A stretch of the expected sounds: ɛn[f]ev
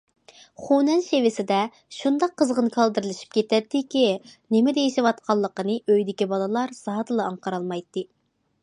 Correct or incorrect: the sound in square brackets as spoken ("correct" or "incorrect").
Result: incorrect